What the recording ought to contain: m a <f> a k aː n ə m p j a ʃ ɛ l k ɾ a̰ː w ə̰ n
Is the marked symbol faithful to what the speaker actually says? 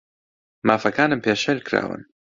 yes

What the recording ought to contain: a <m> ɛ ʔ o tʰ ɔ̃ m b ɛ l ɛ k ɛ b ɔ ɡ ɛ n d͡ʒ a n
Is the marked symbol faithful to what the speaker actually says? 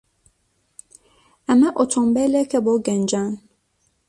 yes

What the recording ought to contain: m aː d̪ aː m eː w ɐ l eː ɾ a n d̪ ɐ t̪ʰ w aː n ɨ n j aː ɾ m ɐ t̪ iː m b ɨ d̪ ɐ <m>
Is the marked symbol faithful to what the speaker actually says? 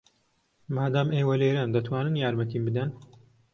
no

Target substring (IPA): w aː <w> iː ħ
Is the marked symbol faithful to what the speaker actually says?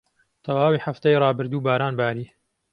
yes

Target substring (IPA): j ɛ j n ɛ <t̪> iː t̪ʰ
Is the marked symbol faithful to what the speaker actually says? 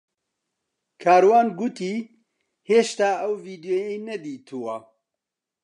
no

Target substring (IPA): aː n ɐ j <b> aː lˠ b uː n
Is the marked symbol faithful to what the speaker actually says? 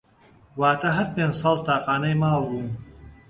no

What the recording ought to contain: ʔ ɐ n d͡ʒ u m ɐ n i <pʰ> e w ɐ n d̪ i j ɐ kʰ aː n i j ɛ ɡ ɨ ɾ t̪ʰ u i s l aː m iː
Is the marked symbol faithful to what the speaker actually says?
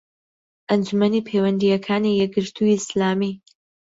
yes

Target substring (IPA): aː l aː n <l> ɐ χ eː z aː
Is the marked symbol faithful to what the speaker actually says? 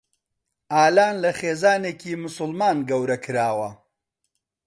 yes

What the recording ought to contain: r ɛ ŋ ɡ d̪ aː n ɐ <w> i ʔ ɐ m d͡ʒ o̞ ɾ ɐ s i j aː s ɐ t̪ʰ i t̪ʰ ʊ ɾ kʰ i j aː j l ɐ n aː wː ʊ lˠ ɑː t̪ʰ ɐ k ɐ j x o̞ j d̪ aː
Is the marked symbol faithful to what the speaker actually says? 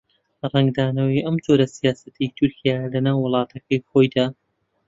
yes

